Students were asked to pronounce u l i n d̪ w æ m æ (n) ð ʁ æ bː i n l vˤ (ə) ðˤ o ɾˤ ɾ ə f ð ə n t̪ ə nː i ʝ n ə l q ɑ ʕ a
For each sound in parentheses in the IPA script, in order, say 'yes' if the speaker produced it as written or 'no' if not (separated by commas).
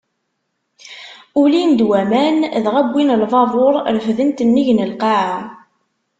yes, no